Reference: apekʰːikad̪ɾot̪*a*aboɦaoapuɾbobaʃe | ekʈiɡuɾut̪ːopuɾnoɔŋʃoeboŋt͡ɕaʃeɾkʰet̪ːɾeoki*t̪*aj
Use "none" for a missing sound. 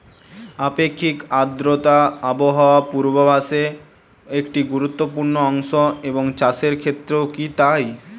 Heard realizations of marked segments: a, t̪

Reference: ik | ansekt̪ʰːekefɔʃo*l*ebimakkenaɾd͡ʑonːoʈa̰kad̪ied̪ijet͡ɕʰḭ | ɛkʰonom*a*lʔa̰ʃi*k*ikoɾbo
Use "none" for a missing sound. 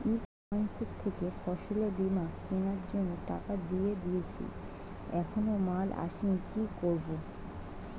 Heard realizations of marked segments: l, a, k

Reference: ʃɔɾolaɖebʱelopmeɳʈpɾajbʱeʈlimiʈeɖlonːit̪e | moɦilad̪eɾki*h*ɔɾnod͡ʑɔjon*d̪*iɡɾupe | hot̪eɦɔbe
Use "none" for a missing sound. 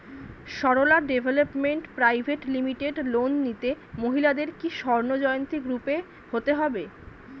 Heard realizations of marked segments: ʃ, t̪

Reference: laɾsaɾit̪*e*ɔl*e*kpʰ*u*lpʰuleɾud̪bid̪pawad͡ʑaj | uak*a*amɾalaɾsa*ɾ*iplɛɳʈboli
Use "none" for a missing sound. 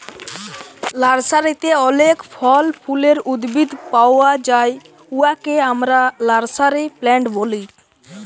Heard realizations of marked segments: e, e, ɔ, e, ɾ

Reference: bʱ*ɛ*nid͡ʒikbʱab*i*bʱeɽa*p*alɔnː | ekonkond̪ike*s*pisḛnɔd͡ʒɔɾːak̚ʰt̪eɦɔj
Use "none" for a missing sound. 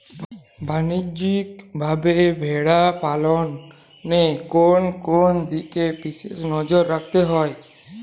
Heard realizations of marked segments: a, e, p, none

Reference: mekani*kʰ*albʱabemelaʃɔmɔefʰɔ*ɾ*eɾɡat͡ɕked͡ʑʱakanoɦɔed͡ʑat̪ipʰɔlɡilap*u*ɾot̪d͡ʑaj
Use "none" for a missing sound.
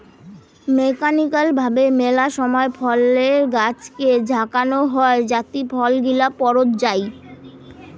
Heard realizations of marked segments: k, l, ɔ

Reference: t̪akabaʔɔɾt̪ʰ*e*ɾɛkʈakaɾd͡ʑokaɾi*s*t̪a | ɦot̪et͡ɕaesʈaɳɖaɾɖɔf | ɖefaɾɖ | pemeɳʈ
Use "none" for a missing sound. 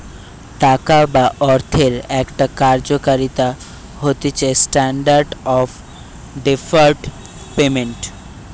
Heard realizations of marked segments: e, none

